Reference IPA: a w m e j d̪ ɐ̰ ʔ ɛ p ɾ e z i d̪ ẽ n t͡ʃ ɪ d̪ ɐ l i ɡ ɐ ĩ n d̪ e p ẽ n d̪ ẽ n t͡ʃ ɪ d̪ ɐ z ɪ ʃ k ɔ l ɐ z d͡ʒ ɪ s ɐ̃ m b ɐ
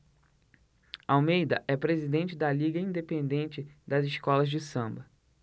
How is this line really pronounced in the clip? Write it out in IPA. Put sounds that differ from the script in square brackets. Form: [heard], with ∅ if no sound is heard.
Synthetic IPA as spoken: a w m e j d̪ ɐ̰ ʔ ɛ p ɾ e z i d̪ ẽ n t͡ʃ ɪ d̪ ɐ l i ɡ ɐ ĩ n d̪ e p ẽ n d̪ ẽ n t͡ʃ ɪ d̪ ɐ z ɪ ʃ k ɔ l ɐ z d͡ʒ ɪ s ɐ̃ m b ɐ